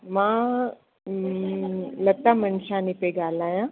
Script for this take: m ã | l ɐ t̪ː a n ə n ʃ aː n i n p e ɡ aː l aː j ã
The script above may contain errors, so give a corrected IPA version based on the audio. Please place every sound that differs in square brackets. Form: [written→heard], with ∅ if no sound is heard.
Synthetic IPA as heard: m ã | l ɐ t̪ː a [n→m] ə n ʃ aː n i [n→∅] p e ɡ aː l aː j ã